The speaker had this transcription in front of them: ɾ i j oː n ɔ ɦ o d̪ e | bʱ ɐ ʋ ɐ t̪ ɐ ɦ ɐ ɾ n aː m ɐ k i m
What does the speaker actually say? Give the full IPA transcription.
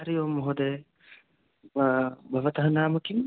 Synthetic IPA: ɾ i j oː m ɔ ɦ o d̪ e | bʱ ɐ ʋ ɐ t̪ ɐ ɦ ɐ n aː m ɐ k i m